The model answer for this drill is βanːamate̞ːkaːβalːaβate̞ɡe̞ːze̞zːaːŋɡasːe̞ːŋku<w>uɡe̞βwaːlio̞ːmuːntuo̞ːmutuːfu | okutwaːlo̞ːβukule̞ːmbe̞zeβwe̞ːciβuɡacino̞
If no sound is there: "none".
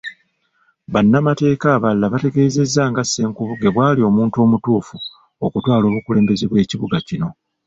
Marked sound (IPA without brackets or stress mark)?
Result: β